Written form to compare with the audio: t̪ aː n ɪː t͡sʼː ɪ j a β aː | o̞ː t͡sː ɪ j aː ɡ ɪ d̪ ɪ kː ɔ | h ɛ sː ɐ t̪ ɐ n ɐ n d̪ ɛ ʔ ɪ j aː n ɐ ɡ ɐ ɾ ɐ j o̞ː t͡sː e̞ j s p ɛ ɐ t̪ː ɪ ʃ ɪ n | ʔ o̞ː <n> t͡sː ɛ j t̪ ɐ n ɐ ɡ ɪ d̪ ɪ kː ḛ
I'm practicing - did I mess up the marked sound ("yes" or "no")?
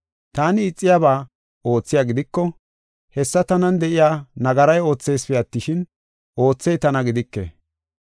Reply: yes